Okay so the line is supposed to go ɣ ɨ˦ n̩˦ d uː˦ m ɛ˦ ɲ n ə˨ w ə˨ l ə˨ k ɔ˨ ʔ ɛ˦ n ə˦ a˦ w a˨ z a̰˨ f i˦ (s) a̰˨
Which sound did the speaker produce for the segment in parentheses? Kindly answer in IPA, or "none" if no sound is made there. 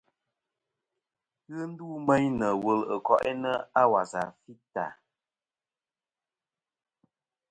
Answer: t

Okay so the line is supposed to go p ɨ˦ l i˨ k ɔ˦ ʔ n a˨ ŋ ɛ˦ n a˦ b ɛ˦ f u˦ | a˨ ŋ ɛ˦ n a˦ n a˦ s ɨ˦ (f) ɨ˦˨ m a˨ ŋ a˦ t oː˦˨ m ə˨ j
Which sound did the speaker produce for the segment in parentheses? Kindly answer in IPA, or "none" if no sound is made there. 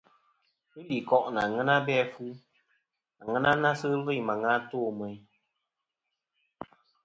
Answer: v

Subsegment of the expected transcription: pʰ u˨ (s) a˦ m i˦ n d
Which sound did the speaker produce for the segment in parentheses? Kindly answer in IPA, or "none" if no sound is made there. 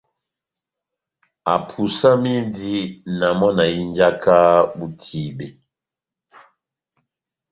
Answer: s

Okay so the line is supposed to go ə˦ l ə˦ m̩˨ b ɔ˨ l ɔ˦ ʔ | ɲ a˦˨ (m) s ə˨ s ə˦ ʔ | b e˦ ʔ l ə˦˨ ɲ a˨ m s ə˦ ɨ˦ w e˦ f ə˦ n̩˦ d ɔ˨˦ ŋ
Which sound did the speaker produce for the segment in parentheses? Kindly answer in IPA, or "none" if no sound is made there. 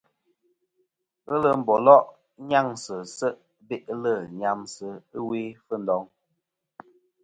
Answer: ŋ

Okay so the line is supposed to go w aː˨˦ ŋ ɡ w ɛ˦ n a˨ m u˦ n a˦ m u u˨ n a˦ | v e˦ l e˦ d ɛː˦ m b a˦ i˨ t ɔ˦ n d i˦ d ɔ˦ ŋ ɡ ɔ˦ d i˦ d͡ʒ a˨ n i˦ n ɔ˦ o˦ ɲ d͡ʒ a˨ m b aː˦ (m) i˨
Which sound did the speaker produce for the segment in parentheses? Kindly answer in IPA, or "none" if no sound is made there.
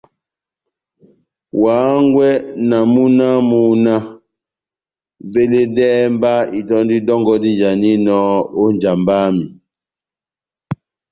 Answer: m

